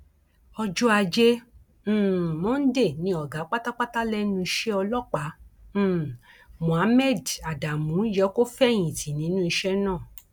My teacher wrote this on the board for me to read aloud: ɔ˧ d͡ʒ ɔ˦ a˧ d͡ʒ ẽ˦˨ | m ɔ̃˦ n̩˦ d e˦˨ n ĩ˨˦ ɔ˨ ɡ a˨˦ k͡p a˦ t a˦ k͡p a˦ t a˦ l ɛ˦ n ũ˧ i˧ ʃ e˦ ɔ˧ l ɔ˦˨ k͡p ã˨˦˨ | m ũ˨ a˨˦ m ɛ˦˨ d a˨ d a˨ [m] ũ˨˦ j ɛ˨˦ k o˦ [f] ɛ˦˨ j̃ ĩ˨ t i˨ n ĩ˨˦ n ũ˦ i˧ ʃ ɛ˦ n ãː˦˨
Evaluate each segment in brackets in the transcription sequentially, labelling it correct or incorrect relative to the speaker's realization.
correct, correct

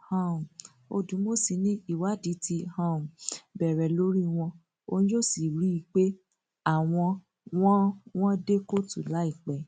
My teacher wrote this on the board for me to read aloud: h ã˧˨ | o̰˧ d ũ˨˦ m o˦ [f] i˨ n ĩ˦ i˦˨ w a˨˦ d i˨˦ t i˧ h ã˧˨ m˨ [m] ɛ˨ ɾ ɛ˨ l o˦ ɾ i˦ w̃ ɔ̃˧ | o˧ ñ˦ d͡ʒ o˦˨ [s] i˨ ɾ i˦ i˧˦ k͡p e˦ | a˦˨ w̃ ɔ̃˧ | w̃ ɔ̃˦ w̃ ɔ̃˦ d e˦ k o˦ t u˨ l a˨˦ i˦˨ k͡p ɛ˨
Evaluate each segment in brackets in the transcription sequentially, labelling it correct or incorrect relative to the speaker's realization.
incorrect: s, incorrect: b, correct

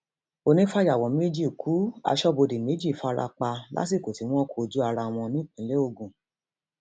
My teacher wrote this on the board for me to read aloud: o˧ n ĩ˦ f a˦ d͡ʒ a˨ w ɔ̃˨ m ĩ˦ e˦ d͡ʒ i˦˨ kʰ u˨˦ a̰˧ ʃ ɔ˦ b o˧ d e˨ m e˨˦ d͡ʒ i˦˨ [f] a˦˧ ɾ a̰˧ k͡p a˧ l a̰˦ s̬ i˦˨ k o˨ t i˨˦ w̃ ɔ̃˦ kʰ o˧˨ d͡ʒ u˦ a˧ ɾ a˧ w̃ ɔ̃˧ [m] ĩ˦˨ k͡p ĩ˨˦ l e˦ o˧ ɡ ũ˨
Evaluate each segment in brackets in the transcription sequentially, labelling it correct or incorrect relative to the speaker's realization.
correct, incorrect: n

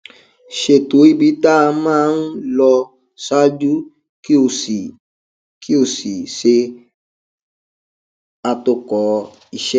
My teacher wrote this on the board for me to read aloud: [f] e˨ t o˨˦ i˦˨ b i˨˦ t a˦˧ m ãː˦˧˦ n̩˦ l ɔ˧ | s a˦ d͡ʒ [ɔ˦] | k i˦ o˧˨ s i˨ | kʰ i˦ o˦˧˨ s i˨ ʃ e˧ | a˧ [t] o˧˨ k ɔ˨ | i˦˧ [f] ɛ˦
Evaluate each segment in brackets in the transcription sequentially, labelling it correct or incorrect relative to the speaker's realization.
incorrect: ʃ, incorrect: u˦, correct, incorrect: ʃ

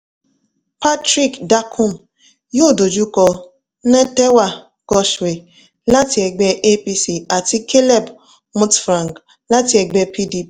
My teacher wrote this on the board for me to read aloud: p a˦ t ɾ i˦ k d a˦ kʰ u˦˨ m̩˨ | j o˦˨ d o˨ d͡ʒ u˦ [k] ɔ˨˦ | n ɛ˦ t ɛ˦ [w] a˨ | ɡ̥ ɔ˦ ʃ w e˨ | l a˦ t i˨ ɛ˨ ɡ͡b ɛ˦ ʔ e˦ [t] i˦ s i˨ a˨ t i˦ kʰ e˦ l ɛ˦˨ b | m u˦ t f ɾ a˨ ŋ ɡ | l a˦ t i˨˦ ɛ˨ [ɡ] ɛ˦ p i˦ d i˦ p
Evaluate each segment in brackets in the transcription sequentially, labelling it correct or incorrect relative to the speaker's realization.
correct, correct, incorrect: p, incorrect: ɡ͡b

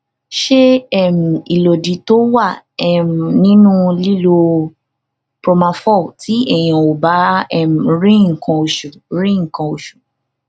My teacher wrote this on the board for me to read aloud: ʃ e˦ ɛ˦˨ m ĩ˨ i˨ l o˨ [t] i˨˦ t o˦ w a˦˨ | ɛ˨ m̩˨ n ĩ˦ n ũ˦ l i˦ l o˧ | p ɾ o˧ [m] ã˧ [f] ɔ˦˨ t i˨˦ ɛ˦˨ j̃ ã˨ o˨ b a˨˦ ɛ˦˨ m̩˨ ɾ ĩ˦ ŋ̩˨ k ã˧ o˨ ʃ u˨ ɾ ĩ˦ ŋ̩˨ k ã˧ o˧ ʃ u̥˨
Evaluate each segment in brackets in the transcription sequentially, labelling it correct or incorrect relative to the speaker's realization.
incorrect: d, correct, correct

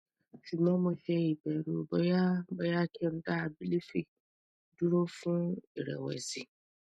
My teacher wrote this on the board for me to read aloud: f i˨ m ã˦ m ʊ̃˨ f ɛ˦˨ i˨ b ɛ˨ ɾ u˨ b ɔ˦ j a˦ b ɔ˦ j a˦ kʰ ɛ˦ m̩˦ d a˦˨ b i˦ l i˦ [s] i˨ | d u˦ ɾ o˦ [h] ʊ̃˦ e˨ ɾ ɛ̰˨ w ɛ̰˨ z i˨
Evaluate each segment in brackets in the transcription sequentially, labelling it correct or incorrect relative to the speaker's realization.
incorrect: f, incorrect: f

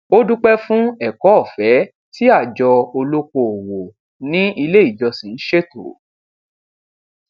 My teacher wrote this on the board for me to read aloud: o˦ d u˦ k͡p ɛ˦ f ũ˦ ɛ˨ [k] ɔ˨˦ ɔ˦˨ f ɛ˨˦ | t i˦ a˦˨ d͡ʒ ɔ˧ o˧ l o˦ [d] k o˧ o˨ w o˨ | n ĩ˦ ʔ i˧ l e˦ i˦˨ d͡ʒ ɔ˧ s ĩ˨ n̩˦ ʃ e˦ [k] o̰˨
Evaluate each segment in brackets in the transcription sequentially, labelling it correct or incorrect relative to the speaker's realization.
correct, incorrect: none, incorrect: t

